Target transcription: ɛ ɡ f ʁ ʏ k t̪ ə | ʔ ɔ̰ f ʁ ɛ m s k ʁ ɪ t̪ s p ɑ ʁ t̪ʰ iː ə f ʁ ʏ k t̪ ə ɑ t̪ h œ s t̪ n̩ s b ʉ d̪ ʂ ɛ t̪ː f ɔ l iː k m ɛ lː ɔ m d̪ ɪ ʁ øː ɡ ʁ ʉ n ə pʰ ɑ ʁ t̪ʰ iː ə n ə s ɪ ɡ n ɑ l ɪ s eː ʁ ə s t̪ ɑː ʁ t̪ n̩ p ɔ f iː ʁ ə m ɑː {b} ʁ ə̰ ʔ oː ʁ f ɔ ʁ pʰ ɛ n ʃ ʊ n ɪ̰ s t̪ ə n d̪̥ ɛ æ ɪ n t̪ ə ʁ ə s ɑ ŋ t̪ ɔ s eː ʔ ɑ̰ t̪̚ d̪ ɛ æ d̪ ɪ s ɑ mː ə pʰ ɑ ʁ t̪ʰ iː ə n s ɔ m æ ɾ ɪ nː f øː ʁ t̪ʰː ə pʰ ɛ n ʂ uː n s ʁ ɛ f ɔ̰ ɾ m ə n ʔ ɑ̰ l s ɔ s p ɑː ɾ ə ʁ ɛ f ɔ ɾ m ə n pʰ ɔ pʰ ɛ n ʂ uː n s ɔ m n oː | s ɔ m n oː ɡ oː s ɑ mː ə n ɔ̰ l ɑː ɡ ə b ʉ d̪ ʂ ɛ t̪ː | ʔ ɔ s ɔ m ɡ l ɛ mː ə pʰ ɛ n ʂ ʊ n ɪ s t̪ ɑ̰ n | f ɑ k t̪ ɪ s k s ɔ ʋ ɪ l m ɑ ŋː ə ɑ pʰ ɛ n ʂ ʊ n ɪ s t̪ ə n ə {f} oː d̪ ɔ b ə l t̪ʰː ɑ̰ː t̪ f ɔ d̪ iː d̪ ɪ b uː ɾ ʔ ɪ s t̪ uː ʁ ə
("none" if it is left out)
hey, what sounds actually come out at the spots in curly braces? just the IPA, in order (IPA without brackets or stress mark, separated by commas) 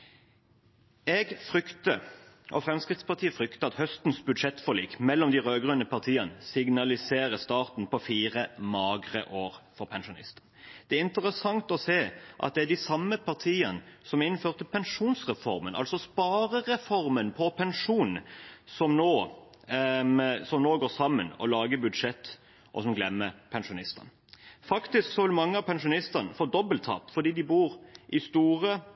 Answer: ɡ, f